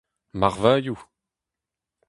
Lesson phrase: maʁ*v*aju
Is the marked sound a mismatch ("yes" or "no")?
no